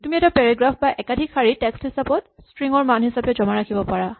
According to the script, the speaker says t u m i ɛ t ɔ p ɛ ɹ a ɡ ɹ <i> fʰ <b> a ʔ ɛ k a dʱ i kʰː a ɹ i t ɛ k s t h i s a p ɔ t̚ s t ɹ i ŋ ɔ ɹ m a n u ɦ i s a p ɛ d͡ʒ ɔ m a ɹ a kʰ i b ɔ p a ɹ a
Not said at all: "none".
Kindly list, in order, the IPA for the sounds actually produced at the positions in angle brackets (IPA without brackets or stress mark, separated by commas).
a, b